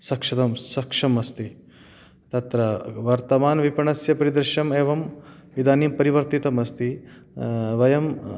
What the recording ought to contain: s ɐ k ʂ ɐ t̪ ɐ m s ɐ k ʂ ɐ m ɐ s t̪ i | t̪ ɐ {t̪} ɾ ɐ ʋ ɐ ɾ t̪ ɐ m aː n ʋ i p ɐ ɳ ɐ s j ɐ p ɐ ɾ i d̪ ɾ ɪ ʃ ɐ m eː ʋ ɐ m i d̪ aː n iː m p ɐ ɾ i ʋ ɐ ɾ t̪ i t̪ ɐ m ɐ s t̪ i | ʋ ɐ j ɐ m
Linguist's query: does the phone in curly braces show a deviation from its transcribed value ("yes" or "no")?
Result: no